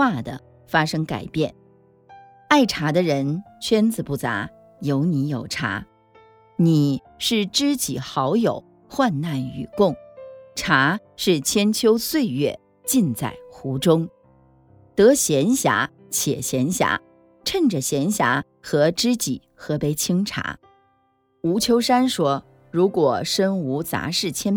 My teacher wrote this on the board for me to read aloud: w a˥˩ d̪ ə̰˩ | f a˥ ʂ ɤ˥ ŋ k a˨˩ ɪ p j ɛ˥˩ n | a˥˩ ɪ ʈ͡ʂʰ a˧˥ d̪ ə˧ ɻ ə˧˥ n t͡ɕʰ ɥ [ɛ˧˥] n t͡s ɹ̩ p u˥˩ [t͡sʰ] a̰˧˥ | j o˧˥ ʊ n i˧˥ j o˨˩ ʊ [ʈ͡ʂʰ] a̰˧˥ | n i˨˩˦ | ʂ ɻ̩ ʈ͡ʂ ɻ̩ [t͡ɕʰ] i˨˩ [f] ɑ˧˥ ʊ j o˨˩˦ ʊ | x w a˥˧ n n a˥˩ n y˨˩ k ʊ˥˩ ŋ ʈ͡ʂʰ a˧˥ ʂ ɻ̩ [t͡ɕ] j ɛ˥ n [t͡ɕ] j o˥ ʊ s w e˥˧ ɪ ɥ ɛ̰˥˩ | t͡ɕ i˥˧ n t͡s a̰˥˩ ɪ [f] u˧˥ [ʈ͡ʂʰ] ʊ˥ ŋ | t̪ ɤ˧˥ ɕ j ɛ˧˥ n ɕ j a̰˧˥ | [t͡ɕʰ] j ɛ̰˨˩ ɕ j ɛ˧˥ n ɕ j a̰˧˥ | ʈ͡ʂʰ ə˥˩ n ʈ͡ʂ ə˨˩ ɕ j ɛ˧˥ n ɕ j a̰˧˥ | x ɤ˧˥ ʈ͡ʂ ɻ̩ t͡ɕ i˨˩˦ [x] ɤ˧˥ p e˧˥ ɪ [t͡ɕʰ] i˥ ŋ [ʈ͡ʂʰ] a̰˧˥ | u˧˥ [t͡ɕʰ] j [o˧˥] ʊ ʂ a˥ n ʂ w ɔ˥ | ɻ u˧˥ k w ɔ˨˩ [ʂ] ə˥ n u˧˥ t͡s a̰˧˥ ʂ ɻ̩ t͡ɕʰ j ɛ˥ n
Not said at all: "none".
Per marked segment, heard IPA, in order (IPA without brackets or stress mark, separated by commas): ɛ˥, t͡s, ʈ͡ʂʰ, t͡ɕ, x, t͡ɕʰ, t͡ɕʰ, x, ʈ͡ʂ, t͡ɕʰ, x, t͡ɕʰ, ʈ͡ʂʰ, t͡ɕʰ, o˥, ʂ